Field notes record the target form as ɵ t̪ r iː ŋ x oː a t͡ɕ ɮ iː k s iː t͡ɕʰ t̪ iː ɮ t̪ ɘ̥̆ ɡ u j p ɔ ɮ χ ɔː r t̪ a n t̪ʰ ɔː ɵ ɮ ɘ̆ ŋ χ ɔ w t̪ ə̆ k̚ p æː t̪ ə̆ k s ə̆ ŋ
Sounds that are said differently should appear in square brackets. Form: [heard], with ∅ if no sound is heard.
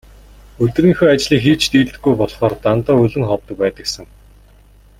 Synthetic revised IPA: ɵ t̪ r iː ŋ x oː a t͡ɕ ɮ iː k [x] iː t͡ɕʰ t̪ iː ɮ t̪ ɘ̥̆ ɡ u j p ɔ ɮ χ ɔː r t̪ a n [t̪] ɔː ɵ ɮ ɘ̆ ŋ χ ɔ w t̪ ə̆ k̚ p æː t̪ ə̆ k s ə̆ ŋ